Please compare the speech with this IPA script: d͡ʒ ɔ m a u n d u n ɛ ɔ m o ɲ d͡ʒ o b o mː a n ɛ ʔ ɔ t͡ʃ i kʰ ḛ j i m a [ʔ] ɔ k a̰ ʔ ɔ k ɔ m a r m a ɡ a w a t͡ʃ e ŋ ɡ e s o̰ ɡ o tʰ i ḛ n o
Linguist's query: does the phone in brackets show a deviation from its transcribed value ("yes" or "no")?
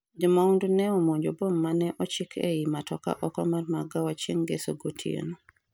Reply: yes